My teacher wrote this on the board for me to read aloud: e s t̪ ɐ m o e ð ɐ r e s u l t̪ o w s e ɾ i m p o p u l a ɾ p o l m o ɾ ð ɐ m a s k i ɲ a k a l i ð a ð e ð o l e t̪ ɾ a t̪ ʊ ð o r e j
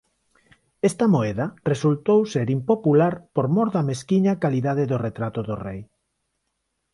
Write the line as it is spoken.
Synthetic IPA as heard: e s t̪ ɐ m o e ð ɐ r e s u l t̪ o w s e ɾ i m p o p u l a ɾ p o ɾ m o ɾ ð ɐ m e s k i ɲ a k a l i ð a ð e ð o r e t̪ ɾ a t̪ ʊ ð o r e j